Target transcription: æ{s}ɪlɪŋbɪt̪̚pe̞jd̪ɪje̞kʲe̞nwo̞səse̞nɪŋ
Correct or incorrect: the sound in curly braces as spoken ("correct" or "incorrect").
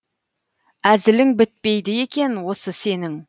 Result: incorrect